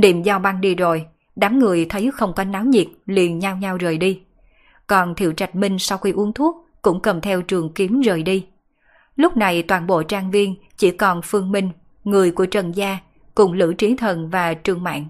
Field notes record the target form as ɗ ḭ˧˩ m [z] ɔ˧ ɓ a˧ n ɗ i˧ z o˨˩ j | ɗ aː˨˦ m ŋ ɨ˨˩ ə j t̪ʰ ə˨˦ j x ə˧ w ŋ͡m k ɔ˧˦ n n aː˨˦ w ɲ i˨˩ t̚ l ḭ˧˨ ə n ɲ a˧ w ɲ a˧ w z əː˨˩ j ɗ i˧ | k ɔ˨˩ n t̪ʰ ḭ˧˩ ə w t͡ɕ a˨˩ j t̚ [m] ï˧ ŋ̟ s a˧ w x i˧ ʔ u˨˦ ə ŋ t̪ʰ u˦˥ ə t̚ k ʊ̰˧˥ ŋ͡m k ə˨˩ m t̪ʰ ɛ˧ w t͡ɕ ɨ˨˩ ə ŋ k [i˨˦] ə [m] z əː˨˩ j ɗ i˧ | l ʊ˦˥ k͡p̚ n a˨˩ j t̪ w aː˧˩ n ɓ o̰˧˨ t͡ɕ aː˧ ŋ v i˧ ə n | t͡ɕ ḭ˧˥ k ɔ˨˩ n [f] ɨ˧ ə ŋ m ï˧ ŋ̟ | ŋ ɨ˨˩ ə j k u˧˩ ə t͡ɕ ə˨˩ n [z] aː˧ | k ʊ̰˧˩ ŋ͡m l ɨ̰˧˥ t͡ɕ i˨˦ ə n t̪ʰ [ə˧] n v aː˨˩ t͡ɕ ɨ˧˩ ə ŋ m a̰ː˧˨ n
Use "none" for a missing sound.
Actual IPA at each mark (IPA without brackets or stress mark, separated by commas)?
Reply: z, m, i˨˦, m, f, z, ə˨˩